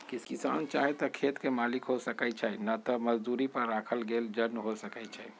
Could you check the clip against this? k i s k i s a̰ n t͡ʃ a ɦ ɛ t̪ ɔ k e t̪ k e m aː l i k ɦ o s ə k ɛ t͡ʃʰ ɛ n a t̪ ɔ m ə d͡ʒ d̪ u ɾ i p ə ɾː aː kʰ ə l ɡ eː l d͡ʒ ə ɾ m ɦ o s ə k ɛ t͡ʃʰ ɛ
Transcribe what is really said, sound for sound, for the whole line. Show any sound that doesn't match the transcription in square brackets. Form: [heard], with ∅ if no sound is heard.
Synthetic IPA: k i s k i s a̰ n t͡ʃ a ɦ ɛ t̪ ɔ [kʰ] e t̪ k e m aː l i k ɦ o s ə k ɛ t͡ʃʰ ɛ n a t̪ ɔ m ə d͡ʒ d̪ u ɾ i p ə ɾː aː kʰ ə l ɡ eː l d͡ʒ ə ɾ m ɦ o s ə k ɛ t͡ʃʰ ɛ